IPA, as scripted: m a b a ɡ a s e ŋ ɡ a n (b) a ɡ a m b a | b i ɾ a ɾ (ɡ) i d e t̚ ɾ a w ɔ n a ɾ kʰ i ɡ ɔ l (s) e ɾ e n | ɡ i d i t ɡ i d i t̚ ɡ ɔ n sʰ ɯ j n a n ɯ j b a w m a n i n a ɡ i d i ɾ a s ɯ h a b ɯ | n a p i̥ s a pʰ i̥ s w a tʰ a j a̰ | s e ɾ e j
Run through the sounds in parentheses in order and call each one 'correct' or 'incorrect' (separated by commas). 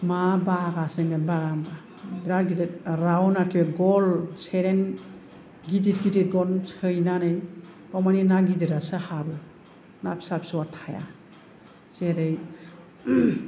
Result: correct, correct, correct